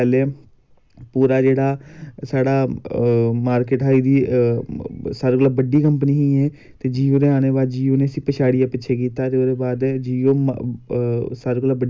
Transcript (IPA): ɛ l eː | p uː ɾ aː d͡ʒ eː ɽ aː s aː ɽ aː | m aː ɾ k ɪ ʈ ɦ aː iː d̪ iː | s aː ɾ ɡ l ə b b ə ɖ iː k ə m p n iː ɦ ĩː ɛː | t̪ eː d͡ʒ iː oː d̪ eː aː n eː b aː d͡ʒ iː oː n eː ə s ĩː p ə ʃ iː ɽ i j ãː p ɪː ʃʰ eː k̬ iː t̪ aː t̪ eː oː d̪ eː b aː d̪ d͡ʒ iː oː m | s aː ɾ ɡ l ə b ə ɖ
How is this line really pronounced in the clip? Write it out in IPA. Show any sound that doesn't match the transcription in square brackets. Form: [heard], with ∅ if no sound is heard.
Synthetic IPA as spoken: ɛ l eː | p uː ɾ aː d͡ʒ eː ɽ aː s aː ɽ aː | m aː ɾ k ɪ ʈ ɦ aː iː d̪ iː | s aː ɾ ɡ l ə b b ə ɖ iː k ə m p n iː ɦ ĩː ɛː | t̪ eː d͡ʒ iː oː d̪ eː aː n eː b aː d͡ʒ iː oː n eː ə s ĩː p ə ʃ [aː] ɽ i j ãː p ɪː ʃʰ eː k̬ iː t̪ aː t̪ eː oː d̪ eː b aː d̪ d͡ʒ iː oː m | s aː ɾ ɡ l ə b ə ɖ